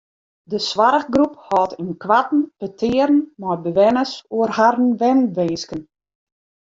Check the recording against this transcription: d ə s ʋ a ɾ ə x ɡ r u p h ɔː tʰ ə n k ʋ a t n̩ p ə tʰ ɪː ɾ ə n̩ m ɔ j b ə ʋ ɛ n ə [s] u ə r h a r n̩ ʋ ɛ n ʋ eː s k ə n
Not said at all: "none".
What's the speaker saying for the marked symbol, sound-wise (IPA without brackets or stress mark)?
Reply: s